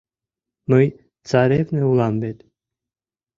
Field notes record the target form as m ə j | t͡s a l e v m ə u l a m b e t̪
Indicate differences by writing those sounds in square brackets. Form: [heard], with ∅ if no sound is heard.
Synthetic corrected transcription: m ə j | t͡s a [ɾ] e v [n] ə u l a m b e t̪